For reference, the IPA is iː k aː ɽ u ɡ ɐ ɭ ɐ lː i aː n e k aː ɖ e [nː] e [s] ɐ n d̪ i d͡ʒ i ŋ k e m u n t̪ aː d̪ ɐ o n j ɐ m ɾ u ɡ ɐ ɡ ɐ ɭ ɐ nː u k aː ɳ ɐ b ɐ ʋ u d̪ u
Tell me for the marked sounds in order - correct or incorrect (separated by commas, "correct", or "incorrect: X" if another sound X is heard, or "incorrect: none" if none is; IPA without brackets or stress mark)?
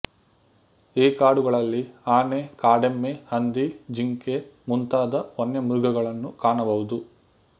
incorrect: mː, incorrect: h